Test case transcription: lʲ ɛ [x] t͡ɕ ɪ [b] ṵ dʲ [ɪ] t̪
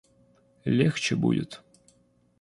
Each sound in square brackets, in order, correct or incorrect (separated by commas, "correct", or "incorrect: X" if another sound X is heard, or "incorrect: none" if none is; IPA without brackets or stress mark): correct, correct, correct